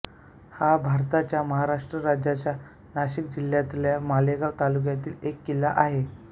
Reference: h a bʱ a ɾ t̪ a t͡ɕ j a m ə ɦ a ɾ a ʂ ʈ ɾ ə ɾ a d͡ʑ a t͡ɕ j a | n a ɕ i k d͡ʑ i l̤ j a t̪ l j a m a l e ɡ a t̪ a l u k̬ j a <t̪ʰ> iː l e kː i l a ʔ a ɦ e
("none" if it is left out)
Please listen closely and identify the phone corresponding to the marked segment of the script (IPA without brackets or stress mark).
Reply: t̪